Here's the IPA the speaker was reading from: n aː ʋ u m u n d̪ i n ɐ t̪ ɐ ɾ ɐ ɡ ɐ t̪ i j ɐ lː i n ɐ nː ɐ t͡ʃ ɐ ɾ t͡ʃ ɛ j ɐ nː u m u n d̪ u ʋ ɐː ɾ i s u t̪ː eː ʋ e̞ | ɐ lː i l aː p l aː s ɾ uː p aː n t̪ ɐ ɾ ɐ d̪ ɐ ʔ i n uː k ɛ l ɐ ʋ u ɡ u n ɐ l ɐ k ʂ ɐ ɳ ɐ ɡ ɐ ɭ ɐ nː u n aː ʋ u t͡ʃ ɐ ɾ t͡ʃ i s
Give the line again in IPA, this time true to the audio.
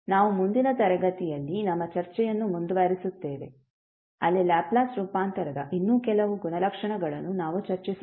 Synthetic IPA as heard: n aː ʋ u m u n d̪ i n ɐ t̪ ɐ ɾ ɐ ɡ ɐ t̪ i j ɐ lː i n ɐ mː ɐ t͡ʃ ɐ ɾ t͡ʃ ɛ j ɐ nː u m u n d̪ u ʋ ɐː ɾ i s u t̪ː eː ʋ e̞ | ɐ lː i l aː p l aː s ɾ uː p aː n t̪ ɐ ɾ ɐ d̪ ɐ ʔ i nː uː k ɛ l ɐ ʋ u ɡ u n ɐ l ɐ k ʂ ɐ ɳ ɐ ɡ ɐ ɭ ɐ nː u n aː ʋ u t͡ʃ ɐ ɾ t͡ʃ i s